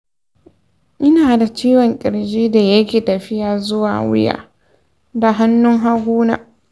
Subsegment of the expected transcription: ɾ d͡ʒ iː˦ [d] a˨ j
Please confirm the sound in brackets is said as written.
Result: yes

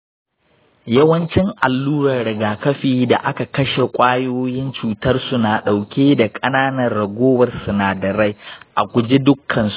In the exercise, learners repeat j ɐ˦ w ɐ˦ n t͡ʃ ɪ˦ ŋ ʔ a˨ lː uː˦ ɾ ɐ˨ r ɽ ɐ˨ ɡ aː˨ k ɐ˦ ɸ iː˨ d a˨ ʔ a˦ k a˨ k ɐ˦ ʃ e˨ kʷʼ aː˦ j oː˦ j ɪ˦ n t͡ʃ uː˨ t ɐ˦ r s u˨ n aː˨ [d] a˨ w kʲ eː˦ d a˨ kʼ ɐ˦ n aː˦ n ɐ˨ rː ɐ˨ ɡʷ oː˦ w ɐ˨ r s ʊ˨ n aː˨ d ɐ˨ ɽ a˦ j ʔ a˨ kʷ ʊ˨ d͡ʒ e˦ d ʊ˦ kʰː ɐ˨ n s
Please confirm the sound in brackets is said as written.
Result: no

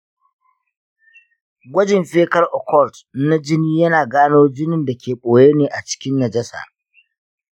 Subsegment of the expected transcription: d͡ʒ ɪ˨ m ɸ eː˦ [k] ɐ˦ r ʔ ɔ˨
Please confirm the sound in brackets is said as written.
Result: yes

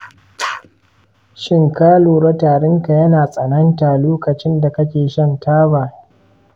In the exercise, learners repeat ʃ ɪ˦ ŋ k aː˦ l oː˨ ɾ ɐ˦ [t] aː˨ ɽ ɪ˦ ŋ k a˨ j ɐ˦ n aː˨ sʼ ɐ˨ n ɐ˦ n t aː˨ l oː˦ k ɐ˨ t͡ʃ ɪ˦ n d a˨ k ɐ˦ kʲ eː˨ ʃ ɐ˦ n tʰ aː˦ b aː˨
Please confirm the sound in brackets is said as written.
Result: yes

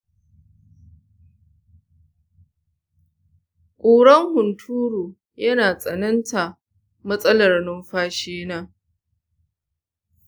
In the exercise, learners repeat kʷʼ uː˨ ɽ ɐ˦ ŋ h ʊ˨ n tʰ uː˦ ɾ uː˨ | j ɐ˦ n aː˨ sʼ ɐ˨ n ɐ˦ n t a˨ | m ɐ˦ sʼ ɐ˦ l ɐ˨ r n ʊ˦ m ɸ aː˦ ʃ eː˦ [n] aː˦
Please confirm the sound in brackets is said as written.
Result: yes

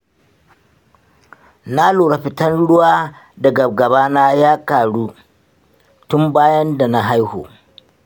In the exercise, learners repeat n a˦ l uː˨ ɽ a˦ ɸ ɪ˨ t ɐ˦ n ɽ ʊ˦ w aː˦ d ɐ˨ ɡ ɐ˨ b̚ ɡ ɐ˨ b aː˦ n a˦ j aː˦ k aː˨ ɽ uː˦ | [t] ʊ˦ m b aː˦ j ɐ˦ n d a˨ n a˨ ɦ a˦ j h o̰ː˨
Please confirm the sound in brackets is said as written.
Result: yes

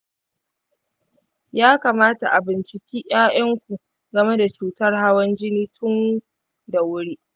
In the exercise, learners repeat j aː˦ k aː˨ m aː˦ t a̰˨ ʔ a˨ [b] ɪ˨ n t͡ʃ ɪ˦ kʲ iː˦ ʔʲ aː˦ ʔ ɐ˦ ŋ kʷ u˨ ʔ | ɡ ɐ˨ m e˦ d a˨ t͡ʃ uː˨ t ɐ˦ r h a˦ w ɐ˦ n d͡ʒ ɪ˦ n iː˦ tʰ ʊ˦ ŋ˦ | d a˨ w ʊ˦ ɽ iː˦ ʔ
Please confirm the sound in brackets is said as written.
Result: yes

